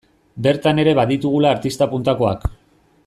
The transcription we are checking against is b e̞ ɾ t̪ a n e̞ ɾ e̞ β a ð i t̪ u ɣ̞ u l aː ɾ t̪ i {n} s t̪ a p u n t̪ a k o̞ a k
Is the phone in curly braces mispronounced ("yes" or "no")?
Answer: yes